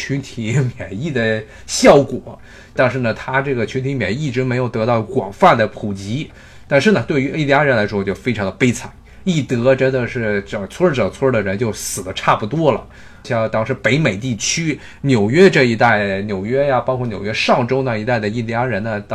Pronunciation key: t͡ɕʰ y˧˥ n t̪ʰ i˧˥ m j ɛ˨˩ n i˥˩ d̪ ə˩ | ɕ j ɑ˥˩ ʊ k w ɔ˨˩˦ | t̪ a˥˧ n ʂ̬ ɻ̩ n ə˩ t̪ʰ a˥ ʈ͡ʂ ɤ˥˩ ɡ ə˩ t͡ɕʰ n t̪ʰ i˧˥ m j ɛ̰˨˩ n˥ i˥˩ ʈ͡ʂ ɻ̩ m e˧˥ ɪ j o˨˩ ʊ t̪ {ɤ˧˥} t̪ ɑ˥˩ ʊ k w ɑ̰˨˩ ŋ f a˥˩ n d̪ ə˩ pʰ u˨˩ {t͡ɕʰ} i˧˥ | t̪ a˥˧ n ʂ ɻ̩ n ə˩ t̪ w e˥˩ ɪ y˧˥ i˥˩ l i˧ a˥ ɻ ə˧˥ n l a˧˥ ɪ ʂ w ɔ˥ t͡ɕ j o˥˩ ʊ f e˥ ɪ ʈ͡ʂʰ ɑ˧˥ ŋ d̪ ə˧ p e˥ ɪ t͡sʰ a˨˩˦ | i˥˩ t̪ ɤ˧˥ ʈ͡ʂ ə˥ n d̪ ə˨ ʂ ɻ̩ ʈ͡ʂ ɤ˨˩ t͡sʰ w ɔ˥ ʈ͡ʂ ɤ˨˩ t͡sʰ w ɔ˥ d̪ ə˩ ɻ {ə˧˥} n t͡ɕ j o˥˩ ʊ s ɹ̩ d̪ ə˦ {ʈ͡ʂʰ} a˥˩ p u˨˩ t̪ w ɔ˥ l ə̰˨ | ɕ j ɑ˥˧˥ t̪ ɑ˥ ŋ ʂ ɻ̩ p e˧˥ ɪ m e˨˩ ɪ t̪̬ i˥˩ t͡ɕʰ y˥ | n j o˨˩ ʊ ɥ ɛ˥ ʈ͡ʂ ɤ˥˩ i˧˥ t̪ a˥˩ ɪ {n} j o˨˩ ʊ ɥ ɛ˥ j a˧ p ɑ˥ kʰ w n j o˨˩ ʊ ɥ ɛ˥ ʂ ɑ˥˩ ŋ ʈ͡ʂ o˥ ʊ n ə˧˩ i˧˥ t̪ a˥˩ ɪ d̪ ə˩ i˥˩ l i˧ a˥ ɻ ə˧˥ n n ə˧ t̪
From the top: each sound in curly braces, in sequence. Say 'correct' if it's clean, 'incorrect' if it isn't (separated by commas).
correct, incorrect, correct, correct, correct